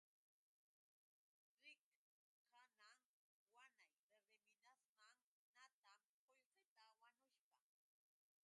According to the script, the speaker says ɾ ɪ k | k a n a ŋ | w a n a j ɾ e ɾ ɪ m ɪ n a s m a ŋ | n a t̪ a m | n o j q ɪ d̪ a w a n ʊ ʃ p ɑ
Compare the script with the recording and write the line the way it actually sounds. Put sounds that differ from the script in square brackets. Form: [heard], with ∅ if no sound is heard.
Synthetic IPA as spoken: ɾ ɪ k | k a n a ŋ | w a n a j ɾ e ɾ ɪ m ɪ n a s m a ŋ | n a t̪ a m | n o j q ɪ [t̪] a w a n ʊ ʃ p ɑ